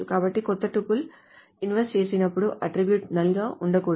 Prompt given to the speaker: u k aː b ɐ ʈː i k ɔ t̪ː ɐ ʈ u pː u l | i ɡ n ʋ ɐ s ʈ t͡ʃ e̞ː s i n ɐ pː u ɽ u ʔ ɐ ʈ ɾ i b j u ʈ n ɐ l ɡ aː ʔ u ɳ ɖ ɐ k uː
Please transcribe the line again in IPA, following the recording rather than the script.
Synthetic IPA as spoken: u k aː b ɐ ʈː i k ɔ t̪ː ɐ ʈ u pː u l | i n ʋ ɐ s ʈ t͡ʃ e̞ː s i n ɐ pː u ɽ u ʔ ɐ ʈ ɾ i b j u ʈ n ɐ l ɡ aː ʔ u ɳ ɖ ɐ k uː